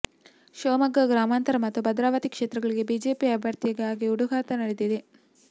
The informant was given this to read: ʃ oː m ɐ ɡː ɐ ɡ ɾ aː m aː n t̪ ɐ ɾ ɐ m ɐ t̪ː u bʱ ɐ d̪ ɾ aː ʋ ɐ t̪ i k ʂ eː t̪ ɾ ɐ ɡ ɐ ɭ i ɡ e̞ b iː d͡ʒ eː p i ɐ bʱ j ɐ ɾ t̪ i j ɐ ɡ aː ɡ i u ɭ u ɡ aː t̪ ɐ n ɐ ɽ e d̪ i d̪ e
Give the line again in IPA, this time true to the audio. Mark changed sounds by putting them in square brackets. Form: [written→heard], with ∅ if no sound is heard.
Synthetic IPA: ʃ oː m ɐ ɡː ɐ ɡ ɾ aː m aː n t̪ ɐ ɾ ɐ m ɐ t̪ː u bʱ ɐ d̪ ɾ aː ʋ ɐ t̪ i k ʂ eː t̪ ɾ ɐ ɡ ɐ ɭ i ɡ e̞ b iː d͡ʒ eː p i ɐ bʱ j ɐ ɾ t̪ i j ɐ ɡ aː ɡ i u [ɭ→ɽ] u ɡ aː t̪ ɐ n ɐ ɽ e d̪ i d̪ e